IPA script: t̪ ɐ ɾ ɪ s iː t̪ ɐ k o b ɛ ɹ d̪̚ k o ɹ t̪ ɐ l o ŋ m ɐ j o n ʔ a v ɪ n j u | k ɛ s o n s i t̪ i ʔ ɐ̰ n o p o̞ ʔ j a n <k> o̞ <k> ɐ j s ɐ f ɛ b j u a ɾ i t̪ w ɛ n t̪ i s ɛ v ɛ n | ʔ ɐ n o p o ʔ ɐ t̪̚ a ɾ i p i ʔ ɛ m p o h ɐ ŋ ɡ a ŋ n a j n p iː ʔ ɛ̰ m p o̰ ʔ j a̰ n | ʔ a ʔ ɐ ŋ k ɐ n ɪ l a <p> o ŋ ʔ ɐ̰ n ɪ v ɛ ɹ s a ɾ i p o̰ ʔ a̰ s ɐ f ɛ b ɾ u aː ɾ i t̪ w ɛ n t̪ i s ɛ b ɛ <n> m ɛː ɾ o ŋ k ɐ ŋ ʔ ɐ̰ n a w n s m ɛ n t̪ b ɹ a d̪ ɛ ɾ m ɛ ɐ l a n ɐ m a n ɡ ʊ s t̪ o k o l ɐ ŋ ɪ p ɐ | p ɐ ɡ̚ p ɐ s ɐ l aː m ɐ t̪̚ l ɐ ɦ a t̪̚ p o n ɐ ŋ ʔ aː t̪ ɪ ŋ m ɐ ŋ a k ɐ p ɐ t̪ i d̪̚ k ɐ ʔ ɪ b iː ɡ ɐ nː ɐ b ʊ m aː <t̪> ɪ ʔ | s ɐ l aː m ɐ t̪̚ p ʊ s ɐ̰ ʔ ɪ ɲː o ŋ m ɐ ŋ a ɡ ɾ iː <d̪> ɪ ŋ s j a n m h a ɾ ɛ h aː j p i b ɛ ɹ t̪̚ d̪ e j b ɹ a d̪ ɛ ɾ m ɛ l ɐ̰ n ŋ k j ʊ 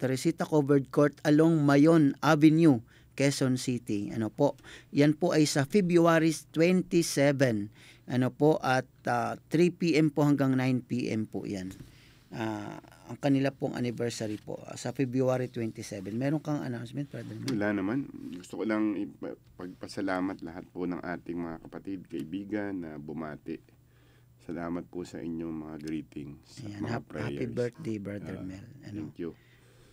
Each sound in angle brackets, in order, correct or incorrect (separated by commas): incorrect, incorrect, correct, correct, correct, incorrect